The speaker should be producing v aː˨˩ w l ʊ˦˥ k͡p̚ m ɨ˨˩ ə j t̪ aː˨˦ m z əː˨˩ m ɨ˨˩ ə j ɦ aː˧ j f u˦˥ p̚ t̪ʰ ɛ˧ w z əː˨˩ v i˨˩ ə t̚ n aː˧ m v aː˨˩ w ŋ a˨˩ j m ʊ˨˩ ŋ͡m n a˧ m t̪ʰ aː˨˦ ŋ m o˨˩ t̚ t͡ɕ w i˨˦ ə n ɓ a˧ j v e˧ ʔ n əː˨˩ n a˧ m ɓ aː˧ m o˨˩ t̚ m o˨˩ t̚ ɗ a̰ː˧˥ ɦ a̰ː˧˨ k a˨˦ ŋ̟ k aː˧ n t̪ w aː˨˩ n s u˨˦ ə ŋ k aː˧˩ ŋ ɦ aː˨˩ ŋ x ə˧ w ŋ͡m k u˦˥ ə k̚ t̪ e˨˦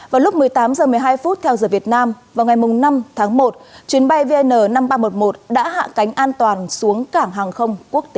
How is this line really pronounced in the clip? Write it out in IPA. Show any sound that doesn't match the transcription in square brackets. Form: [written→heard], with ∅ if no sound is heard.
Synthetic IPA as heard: v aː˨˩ w l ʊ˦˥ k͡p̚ m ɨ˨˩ ə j t̪ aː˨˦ m z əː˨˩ m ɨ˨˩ ə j ɦ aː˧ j f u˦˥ [p̚→t̚] t̪ʰ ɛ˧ w z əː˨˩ v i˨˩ ə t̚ n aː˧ m v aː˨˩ w ŋ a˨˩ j m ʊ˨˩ ŋ͡m n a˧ m t̪ʰ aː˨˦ ŋ m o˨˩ t̚ t͡ɕ w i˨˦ ə n ɓ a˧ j v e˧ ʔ n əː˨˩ n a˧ m ɓ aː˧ m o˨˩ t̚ m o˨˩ t̚ ɗ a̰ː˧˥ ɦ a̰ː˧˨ k a˨˦ ŋ̟ [k→ʔ] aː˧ n t̪ w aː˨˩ n s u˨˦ ə ŋ k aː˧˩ ŋ ɦ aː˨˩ ŋ x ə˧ w ŋ͡m k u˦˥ ə k̚ t̪ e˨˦